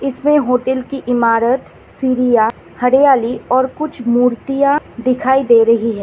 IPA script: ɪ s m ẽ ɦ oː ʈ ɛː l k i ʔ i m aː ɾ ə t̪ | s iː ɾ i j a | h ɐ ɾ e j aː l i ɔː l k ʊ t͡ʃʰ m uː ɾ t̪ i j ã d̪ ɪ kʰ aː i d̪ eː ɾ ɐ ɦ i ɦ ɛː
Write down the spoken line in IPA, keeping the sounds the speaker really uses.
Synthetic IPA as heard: ɪ s m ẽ ɦ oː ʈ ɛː l k i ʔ ɪ m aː ɾ ə t̪ | s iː ɾ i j a | h ɐ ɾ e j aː l i ɔː ɾ k ʊ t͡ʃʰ m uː ɾ t̪ i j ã d̪ ɪ kʰ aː i d̪ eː ɾ ɐ ɦ i ɦ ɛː